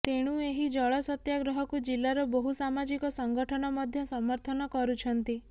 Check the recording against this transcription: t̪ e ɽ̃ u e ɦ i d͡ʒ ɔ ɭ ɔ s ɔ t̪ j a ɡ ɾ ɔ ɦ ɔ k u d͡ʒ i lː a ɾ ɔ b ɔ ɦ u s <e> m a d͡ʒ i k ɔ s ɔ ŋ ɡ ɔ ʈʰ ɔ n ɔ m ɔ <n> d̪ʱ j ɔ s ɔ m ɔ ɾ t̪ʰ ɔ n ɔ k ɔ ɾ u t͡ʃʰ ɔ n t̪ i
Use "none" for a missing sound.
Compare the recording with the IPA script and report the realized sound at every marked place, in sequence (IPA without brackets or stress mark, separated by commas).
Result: a, none